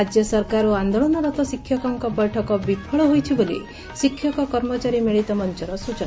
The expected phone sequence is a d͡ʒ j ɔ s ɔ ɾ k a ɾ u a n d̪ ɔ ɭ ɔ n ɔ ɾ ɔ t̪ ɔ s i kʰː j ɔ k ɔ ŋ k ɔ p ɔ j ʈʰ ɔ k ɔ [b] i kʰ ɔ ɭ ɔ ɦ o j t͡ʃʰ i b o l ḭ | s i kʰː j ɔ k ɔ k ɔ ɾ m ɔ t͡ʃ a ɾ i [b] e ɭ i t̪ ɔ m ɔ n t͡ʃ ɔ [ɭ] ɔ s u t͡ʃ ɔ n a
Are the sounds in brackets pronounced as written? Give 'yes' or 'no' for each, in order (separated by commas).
yes, no, no